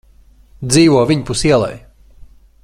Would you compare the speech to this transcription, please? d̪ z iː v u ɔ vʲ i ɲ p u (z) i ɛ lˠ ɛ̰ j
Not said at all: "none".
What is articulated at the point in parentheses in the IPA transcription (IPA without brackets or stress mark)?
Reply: s